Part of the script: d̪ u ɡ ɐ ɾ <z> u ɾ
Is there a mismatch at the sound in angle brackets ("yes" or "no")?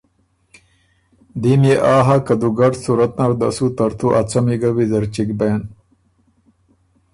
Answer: yes